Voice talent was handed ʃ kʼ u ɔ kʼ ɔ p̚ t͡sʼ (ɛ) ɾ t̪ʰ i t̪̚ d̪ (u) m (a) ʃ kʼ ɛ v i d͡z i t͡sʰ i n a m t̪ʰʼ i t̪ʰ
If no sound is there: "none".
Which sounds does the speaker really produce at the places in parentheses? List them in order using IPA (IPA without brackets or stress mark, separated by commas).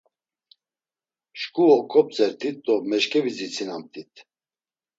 ɛ, ɔ, ɛ